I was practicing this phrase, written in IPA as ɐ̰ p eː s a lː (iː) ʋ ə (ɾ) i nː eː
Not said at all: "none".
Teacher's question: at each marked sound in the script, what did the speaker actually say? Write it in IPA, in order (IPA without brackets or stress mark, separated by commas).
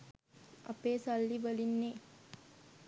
i, l